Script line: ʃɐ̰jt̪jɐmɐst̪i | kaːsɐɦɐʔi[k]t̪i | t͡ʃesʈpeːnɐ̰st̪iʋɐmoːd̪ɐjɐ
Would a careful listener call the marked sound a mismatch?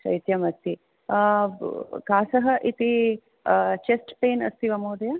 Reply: yes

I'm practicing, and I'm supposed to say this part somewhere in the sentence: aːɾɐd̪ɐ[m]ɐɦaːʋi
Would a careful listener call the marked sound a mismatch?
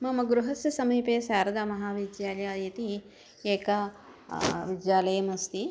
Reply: no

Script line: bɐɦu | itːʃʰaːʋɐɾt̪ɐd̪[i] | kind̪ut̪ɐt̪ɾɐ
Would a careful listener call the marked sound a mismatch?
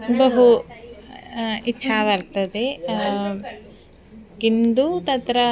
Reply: yes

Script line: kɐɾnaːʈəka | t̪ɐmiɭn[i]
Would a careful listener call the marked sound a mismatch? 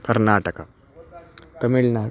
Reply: yes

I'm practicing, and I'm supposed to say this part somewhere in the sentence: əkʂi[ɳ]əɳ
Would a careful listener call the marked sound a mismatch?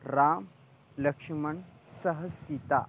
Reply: yes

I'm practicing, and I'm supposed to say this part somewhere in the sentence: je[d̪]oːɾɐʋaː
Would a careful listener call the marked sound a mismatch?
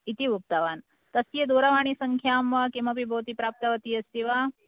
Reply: no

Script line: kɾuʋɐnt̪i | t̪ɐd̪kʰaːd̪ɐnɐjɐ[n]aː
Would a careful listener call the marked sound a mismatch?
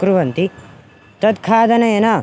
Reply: no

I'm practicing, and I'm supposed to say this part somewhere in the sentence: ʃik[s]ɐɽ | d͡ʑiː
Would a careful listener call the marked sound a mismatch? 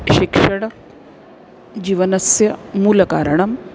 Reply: yes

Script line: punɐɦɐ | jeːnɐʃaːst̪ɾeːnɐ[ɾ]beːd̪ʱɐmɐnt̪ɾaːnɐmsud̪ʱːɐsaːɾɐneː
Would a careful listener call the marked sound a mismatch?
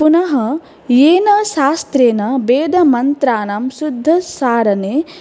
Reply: yes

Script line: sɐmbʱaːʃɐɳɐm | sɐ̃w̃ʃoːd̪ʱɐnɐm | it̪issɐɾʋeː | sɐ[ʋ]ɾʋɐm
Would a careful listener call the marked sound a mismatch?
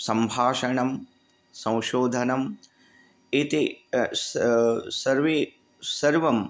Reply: yes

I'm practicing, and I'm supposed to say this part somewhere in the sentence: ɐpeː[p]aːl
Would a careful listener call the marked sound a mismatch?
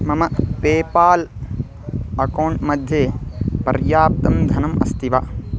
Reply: no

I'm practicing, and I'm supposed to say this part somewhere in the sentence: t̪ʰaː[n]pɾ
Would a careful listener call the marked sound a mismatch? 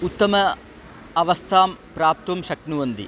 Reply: yes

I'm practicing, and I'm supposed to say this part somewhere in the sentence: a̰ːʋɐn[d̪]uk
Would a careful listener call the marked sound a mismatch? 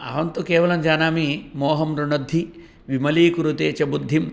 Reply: yes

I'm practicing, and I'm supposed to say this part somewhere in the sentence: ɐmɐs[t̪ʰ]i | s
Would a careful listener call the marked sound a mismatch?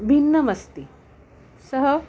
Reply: yes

